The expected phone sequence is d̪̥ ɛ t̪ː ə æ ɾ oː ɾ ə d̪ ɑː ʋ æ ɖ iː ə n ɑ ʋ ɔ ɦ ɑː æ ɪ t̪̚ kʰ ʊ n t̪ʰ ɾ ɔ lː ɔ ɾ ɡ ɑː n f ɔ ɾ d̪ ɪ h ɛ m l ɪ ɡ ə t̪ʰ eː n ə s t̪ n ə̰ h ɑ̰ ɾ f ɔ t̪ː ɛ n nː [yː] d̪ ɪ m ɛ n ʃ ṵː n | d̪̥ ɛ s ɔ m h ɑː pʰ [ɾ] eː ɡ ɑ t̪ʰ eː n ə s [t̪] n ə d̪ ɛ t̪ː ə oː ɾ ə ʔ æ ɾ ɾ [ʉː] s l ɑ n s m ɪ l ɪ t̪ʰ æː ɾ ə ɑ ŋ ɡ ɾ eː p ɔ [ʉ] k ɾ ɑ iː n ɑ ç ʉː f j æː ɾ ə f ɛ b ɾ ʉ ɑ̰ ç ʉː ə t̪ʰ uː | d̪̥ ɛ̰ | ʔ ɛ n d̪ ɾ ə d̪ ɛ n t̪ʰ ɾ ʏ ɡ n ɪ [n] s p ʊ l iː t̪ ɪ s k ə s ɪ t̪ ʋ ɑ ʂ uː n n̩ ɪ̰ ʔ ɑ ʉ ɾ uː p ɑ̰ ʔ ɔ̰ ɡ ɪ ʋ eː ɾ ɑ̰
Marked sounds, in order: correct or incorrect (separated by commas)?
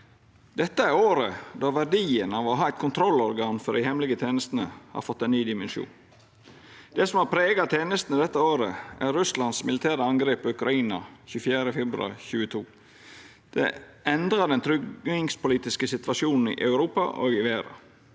correct, correct, correct, incorrect, correct, incorrect